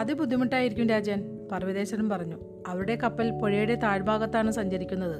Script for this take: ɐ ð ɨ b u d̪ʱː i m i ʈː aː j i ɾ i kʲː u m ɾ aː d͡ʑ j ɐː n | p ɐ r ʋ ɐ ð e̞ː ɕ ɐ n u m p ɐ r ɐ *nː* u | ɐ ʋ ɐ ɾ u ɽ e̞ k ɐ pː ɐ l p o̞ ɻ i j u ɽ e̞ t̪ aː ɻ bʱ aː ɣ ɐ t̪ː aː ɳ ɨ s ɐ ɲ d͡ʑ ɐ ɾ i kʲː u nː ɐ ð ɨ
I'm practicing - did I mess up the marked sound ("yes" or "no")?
yes